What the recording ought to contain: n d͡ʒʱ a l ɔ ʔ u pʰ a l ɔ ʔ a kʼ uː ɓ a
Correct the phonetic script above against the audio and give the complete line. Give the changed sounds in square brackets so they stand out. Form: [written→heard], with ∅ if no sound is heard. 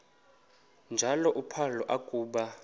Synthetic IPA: n d͡ʒʱ a l ɔ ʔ u pʰ a l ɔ ʔ a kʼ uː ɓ a